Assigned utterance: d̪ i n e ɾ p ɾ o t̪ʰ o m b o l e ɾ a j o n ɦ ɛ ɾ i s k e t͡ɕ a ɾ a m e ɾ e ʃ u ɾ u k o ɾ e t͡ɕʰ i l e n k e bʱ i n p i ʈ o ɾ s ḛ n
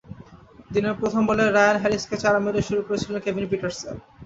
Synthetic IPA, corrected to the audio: d̪ i n e ɾ p ɾ o t̪ʰ o m b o l e ɾ a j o n ɦ ɛ ɾ i s k e t͡ɕ a ɾ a m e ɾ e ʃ u ɾ u k o ɾ e t͡ɕʰ i l e n k e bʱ i n p i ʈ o ɾ s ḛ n